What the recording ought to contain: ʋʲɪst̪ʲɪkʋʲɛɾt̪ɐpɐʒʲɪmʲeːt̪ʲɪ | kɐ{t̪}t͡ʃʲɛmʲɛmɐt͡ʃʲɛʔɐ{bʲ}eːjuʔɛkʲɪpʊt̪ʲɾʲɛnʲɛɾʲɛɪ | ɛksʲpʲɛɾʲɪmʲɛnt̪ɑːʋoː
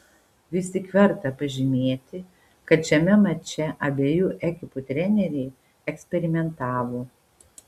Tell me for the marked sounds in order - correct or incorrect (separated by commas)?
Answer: correct, correct